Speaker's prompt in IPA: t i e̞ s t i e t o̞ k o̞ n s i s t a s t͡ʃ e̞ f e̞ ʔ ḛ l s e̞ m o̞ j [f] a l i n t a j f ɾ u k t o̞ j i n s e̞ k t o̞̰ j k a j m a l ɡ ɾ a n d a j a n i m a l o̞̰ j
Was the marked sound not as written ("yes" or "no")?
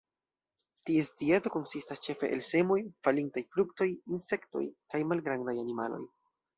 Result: no